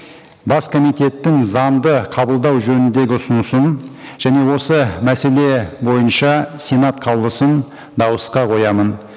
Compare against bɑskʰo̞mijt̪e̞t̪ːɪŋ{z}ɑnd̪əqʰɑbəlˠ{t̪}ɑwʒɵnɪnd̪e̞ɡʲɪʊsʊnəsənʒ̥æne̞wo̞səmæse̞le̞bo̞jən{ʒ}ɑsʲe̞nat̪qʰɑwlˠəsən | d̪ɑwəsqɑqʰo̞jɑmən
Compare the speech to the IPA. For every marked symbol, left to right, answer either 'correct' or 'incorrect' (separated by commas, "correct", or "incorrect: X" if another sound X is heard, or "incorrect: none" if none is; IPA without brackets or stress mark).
correct, incorrect: d̪, incorrect: ʃ